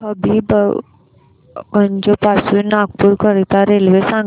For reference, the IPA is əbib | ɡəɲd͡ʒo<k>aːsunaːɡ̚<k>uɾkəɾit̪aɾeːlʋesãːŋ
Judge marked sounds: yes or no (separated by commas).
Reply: no, no